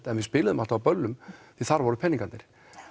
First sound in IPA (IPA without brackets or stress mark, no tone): t̪